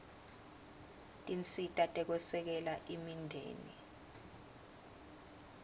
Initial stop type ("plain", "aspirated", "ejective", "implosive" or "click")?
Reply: ejective